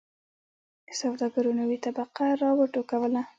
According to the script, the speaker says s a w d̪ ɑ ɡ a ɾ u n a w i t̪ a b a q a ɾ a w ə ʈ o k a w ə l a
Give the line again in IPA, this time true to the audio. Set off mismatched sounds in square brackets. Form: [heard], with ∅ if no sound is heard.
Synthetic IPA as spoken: s a w d̪ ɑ ɡ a ɾ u n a w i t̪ a b a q a ɾ [ɑ] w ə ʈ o k a w ə l a